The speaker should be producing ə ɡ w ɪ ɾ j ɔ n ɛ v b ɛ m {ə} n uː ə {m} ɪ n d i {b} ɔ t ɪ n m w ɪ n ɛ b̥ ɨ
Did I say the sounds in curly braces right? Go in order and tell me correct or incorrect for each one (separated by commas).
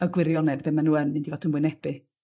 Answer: incorrect, incorrect, incorrect